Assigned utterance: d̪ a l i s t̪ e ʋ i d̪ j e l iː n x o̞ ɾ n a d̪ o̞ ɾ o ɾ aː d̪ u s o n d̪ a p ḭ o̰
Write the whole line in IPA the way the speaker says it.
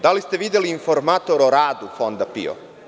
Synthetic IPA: d̪ a l i s t̪ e ʋ i d̪ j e l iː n f o̞ ɾ m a t̪ o̞ ɾ o ɾ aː d̪ u f o n d̪ a p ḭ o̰